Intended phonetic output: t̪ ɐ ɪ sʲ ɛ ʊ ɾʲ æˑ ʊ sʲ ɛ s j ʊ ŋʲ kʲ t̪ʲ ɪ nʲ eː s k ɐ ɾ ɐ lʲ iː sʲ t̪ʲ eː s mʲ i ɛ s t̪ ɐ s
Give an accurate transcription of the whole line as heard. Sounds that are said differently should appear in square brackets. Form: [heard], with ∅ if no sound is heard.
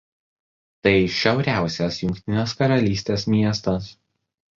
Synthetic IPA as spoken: t̪ ɐ ɪ [ʃʲ] ɛ ʊ ɾʲ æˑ ʊ sʲ ɛ s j ʊ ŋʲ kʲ t̪ʲ ɪ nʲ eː s k ɐ ɾ ɐ lʲ iː sʲ t̪ʲ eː s mʲ i ɛ s t̪ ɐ s